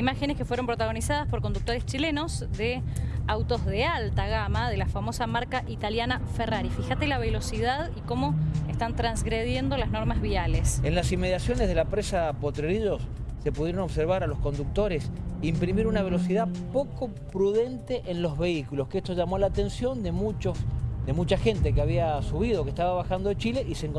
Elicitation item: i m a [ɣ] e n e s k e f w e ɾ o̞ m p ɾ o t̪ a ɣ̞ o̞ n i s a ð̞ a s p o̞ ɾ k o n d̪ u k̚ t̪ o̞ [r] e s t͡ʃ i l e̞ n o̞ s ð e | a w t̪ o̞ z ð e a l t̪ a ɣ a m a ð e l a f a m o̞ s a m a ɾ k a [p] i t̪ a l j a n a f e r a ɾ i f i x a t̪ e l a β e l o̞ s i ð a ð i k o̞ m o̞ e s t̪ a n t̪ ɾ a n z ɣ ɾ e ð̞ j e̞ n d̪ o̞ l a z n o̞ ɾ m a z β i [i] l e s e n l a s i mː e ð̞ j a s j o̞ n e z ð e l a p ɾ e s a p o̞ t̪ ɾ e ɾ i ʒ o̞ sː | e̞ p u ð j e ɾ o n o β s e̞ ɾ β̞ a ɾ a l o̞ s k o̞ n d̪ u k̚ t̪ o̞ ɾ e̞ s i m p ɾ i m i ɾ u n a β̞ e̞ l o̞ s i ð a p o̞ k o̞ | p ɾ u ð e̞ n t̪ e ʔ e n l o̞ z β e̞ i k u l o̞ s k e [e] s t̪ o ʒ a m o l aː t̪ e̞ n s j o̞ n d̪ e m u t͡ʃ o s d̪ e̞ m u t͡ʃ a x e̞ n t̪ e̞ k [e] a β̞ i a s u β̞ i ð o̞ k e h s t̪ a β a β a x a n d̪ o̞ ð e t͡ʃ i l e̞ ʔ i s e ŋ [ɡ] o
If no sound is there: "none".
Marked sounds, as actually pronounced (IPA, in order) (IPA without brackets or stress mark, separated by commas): x, ɾ, ʔ, a, e, e, k